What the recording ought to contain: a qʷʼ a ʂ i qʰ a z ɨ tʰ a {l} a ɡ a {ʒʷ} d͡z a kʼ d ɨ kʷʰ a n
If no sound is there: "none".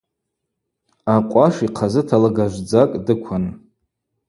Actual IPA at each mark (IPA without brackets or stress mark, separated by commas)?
l, ʒʷ